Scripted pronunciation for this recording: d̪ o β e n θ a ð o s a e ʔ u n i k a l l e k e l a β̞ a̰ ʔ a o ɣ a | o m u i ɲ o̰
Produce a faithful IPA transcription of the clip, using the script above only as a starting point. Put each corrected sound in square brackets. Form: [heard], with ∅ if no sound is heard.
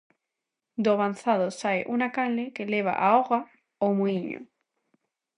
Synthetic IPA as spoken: d̪ o β [a] n θ a ð o s a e ʔ u n [a] k a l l e k e l [e] β̞ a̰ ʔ a o ɣ a | o m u i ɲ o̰